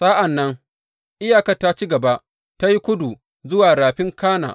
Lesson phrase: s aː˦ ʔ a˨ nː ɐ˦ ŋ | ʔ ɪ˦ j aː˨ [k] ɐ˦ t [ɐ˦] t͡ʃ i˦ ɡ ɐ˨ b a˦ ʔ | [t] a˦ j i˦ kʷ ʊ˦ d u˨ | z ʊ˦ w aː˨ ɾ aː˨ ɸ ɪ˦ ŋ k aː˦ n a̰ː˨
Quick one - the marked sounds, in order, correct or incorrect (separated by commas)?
correct, incorrect, correct